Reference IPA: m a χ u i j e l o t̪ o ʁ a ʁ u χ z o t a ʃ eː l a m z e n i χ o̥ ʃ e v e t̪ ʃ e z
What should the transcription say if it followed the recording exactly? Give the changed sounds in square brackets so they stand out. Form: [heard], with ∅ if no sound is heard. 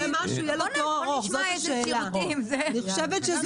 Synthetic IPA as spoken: m a [ʃ] u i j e l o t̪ o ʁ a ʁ [o] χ z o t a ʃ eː l a m z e n i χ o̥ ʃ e v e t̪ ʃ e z